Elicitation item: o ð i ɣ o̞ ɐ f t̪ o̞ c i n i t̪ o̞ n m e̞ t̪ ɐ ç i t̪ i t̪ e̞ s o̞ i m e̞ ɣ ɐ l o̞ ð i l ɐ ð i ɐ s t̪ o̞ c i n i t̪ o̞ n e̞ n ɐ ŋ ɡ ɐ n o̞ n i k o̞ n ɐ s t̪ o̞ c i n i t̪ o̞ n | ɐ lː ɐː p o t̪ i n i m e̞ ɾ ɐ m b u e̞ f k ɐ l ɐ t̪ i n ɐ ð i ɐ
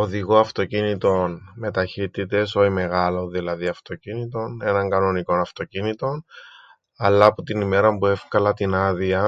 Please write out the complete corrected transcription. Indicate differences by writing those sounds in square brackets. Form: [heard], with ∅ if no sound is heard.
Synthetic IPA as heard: o ð i ɣ o̞ ɐ f t̪ o̞ c i n i t̪ o̞ n m e̞ t̪ ɐ ç i t̪ i t̪ e̞ s o̞ i m e̞ ɣ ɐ l o̞ ð i l ɐ ð i ɐ [f] t̪ o̞ c i n i t̪ o̞ n e̞ n ɐ ŋ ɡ ɐ n o̞ n i k o̞ n ɐ [f] t̪ o̞ c i n i t̪ o̞ n | ɐ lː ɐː p o t̪ i n i m e̞ ɾ ɐ m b u e̞ f k ɐ l ɐ t̪ i n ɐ ð i ɐ

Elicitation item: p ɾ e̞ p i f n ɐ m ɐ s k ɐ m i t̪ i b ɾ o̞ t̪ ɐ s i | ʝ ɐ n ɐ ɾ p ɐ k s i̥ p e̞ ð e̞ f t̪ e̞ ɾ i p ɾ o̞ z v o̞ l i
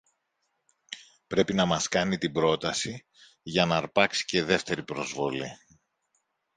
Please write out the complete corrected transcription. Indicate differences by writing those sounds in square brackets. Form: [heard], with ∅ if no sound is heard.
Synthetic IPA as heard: p ɾ e̞ p i [∅] n ɐ m ɐ s k ɐ [n] i t̪ i b ɾ o̞ t̪ ɐ s i | ʝ ɐ n ɐ ɾ p ɐ k s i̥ [c] e̞ ð e̞ f t̪ e̞ ɾ i p ɾ o̞ z v o̞ l i

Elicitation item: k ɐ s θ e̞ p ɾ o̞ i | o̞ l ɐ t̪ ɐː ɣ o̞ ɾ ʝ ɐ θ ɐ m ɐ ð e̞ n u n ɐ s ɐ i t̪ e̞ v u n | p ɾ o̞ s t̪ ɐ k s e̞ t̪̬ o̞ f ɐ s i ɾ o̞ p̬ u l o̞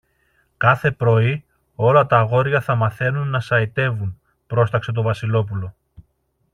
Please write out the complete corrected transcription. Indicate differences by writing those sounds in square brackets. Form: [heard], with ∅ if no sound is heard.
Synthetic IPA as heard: k ɐ [∅] θ e̞ p ɾ o̞ i | o̞ l ɐ t̪ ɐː ɣ o̞ ɾ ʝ ɐ θ ɐ m ɐ [θ] e̞ n u [nː] ɐ s ɐ i t̪ e̞ v u n | p ɾ o̞ s t̪ ɐ k s e̞ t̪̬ o̞ [v] ɐ s i [l] o̞ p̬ u l o̞

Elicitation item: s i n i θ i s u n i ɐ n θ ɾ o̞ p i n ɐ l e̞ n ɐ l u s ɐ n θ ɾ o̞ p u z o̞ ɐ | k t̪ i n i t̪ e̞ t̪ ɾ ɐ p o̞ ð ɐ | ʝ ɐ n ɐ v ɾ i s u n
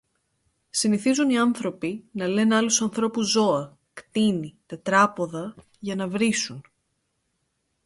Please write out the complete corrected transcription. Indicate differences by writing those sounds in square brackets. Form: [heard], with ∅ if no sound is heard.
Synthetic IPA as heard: s i n i θ i [z] u n i ɐ n θ ɾ o̞ p i n ɐ l e̞ n ɐ l u s ɐ n θ ɾ o̞ p u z o̞ ɐ | k t̪ i n i t̪ e̞ t̪ ɾ ɐ p o̞ ð ɐ | ʝ ɐ n ɐ v ɾ i s u n

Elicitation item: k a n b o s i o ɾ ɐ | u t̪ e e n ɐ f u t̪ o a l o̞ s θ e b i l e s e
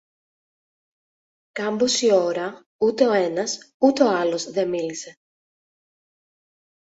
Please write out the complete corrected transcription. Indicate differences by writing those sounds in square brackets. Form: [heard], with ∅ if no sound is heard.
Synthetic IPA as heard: k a [m] b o s i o ɾ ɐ | u t̪ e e n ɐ [s] u t̪ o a l o̞ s [ð] e [m] i l [i] s e

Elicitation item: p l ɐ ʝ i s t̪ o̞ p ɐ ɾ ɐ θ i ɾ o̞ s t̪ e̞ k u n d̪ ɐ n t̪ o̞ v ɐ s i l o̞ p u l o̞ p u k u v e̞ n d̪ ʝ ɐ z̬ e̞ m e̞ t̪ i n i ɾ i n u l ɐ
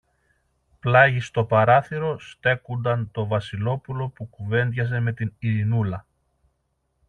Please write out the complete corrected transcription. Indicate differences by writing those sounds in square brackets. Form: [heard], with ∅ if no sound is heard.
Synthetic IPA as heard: p l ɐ ʝ i s t̪ o̞ p ɐ ɾ ɐ θ i ɾ o̞ s t̪ e̞ k u n d̪ ɐ n t̪ o̞ v ɐ s i l o̞ p u l o̞ p u k u v e̞ n d̪ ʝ ɐ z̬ e̞ m e̞ t̪ i n i ɾ i n u l ɐ

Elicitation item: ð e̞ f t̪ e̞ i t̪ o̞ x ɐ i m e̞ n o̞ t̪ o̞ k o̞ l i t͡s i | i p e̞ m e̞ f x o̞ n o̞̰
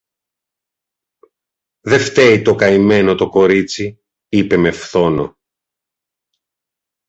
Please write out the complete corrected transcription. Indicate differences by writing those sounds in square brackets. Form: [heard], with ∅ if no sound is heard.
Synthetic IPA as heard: ð e̞ f t̪ e̞ i t̪ o̞ [k] ɐ i m e̞ n o̞ t̪ o̞ k o̞ [ɾ] i t͡s i | i p e̞ m e̞ f [θ] o̞ n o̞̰

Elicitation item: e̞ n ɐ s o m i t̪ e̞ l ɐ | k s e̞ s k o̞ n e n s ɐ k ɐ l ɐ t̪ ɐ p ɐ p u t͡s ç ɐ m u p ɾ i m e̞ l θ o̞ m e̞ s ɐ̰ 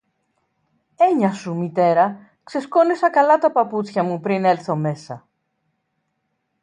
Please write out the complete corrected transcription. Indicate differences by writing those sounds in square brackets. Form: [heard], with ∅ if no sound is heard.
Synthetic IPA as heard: e̞ [ɲ] ɐ s [u] m i t̪ e̞ [ɾ] ɐ | k s e̞ s k o̞ n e [∅] s ɐ k ɐ l ɐ t̪ ɐ p ɐ p u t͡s ç ɐ m u p ɾ i [n] e̞ l θ o̞ m e̞ s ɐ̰

